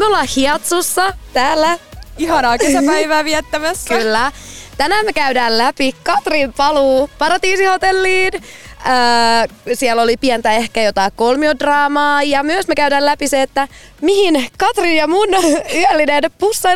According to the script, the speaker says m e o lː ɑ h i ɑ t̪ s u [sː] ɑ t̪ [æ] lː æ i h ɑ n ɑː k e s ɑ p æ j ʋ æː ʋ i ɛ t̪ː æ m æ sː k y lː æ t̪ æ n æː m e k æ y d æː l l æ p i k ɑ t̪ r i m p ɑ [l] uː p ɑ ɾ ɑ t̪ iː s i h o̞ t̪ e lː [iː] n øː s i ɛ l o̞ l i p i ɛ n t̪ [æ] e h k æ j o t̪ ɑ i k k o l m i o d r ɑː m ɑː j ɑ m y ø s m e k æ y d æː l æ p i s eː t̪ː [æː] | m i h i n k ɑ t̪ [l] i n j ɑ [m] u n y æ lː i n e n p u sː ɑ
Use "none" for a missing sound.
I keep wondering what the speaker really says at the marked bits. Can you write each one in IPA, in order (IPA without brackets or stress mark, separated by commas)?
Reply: sː, æː, l, iː, æ, æ, r, m